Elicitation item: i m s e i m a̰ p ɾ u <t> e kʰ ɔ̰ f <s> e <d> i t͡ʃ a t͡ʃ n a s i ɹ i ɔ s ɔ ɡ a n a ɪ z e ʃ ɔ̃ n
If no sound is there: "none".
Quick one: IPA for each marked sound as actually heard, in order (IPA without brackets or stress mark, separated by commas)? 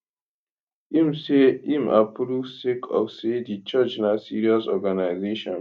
s, s, d